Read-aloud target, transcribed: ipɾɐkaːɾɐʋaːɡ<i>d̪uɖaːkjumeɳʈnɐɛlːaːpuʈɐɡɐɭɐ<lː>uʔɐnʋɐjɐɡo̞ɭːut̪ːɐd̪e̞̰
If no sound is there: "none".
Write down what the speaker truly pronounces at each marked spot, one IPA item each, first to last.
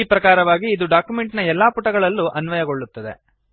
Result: iː, lː

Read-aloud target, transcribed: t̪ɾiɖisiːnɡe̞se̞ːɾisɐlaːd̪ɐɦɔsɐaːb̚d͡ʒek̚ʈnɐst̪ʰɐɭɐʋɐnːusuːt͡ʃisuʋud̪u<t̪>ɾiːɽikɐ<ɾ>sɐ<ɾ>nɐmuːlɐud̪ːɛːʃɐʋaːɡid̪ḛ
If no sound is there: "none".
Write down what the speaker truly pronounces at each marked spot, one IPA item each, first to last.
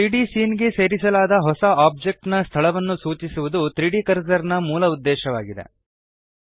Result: t̪, ɾ, ɾ

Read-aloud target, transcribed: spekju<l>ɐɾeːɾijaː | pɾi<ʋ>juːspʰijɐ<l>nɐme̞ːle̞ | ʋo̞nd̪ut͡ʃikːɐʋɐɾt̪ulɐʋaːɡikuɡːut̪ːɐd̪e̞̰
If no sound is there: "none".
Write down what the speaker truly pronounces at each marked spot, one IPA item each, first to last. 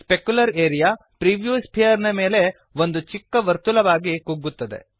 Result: l, ʋ, ɾ

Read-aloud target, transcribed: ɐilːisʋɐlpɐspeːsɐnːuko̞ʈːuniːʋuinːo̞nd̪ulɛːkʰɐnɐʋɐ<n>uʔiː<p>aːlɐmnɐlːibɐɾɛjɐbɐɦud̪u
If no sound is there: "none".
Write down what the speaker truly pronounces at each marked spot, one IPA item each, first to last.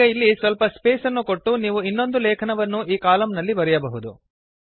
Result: nː, k

